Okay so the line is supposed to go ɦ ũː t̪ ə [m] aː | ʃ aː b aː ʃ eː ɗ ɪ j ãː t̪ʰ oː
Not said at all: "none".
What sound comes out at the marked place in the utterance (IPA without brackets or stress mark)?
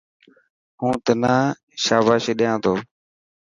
n